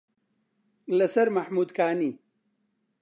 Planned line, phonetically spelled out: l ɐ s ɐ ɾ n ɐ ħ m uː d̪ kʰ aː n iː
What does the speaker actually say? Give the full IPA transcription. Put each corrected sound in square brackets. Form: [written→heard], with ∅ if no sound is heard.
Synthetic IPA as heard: l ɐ s ɐ ɾ [n→m] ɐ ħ m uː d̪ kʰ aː n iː